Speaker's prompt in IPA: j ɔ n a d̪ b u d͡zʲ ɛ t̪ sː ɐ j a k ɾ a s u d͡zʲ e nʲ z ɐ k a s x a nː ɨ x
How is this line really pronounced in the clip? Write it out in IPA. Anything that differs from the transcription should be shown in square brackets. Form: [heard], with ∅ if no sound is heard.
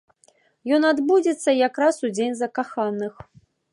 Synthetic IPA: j ɔ n a d̪ b u d͡zʲ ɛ t̪ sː ɐ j a k ɾ a s u d͡zʲ e nʲ z ɐ k a [∅] x a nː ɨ x